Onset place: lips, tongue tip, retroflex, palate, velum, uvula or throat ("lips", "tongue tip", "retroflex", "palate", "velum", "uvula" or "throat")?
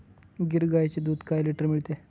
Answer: velum